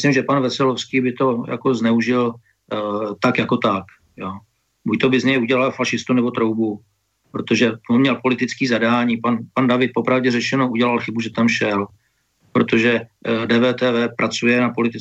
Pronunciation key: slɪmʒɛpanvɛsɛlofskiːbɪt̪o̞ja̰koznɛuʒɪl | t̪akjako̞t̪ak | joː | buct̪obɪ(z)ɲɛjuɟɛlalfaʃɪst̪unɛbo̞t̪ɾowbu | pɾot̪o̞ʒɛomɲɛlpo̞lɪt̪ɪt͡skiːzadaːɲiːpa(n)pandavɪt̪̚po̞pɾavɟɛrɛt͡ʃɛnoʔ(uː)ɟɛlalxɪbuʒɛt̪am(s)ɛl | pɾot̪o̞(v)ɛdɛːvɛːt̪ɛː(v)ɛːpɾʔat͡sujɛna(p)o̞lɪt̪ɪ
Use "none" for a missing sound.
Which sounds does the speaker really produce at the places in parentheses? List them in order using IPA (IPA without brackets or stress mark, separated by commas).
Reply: z, n, u, ʃ, ʒ, v, p